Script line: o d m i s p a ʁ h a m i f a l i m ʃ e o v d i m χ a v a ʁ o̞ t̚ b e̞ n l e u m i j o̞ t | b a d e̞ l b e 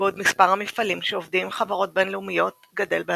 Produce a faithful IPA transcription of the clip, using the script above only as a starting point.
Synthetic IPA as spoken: o d m i s p a ʁ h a m i f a l i m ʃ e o v d i m χ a v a ʁ o̞ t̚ b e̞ n l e u m i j o̞ t | ɡ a d e̞ l b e